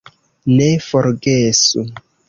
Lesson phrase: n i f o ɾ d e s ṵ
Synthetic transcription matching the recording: n e f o ɾ ɡ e s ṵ